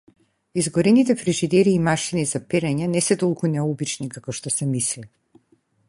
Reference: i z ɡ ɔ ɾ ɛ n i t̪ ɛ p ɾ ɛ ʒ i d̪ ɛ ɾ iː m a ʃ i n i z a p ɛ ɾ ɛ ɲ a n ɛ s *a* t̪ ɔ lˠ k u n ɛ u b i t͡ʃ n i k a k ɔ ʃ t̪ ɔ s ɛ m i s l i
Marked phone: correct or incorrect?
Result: incorrect